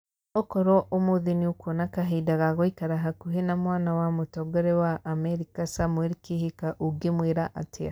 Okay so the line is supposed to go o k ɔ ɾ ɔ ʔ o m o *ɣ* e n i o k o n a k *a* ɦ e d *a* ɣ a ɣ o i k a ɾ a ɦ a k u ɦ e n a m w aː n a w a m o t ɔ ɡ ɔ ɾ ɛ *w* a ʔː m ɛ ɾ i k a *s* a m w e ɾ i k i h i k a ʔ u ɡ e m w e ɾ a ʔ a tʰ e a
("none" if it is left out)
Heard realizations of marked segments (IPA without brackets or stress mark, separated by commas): ð, a, a, w, s